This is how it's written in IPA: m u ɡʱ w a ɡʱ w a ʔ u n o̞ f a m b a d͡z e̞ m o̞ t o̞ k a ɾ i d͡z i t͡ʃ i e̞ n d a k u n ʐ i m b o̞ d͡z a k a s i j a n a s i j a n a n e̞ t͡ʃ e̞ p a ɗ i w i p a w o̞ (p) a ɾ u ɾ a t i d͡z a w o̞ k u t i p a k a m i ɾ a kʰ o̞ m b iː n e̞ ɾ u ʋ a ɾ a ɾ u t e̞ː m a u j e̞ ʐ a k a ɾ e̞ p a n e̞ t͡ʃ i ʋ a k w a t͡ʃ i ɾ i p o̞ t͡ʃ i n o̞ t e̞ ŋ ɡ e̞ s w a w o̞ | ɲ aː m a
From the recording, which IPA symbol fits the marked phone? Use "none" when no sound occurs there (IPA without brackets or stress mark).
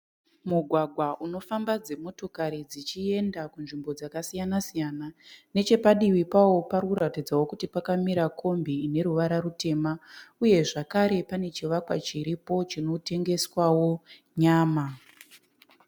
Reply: p